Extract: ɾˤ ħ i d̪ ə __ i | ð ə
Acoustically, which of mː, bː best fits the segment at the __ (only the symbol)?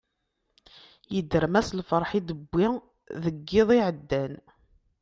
bː